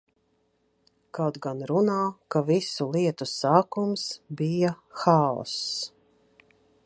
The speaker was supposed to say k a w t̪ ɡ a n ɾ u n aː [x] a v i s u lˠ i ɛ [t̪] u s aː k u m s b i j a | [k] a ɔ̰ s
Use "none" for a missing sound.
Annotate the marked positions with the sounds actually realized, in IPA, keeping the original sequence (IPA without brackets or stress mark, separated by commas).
k, t̪, x